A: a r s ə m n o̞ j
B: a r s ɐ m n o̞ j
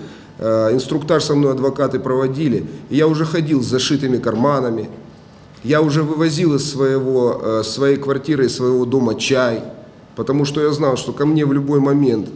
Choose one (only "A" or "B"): B